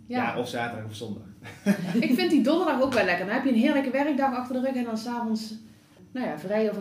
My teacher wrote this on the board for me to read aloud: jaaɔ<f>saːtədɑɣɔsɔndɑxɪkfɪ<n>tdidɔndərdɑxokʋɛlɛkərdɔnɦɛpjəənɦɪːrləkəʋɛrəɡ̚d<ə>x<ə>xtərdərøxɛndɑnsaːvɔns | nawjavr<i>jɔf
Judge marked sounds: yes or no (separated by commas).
yes, yes, no, no, no